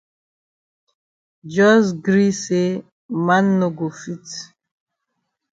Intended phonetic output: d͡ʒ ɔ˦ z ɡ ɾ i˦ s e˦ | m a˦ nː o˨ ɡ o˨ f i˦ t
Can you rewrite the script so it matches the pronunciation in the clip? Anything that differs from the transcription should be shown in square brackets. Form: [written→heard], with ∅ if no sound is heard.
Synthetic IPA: d͡ʒ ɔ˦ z ɡ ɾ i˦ s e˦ | m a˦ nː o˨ ɡ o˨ f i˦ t